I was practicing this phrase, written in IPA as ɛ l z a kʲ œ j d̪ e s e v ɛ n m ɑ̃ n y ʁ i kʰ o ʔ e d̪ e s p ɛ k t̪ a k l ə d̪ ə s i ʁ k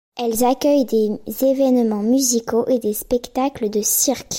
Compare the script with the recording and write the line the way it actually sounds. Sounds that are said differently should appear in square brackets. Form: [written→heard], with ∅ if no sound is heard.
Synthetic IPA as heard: ɛ l z a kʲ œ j d̪ e [s→z] e v ɛ n m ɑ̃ [n→m] y [ʁ→z] i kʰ o ʔ e d̪ e s p ɛ k t̪ a k l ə d̪ ə s i ʁ k